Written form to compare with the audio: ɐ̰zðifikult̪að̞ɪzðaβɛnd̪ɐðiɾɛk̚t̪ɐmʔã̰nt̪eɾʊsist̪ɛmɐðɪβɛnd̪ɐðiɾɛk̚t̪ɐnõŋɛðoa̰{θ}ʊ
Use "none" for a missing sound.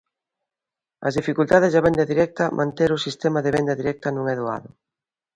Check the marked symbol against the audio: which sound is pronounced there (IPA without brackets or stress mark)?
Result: ð